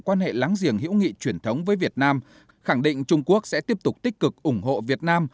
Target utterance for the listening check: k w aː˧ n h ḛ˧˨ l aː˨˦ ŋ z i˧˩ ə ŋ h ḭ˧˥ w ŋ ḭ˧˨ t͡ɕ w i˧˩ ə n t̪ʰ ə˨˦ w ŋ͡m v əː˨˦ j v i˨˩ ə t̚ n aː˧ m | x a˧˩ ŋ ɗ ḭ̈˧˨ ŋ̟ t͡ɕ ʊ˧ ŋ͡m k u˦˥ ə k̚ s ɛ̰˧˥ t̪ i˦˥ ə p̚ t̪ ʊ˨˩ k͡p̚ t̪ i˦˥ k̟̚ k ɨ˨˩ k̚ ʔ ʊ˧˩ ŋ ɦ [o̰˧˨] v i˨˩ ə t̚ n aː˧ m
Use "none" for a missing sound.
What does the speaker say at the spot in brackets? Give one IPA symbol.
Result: o̰˧˨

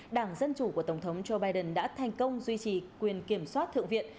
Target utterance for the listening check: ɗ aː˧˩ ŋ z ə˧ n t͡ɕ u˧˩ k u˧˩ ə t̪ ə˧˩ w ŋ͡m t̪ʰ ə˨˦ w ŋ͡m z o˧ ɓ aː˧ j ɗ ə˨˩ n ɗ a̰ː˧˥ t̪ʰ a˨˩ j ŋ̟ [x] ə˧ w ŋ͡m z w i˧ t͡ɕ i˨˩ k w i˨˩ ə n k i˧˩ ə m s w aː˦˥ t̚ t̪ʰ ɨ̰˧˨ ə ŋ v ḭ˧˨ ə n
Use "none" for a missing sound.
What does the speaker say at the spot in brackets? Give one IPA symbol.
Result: k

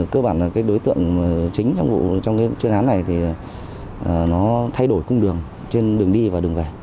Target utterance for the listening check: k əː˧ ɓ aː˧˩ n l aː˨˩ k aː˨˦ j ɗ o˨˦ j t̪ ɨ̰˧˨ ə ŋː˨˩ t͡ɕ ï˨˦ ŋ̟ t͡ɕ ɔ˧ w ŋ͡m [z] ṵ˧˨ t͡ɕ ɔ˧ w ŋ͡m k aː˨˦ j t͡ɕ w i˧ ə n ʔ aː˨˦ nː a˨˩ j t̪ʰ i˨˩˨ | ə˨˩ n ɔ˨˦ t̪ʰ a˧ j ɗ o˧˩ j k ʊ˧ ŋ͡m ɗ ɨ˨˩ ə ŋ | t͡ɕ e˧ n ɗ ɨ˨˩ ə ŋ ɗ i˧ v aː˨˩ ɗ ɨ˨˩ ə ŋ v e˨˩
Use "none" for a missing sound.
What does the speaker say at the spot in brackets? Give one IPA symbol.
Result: v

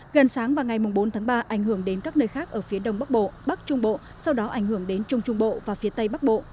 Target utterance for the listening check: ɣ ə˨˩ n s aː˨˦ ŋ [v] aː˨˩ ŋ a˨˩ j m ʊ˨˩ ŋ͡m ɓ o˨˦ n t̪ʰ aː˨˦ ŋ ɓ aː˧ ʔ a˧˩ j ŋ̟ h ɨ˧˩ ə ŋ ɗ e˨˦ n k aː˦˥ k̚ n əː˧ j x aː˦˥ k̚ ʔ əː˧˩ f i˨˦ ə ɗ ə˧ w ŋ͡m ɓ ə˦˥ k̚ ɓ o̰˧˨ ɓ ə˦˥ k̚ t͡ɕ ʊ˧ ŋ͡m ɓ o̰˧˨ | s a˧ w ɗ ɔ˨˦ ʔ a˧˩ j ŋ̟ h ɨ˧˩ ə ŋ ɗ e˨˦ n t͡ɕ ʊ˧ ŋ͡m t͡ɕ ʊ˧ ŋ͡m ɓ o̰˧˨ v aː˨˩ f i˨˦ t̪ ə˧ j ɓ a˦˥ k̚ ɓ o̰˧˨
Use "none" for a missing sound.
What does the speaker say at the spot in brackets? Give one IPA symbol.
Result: v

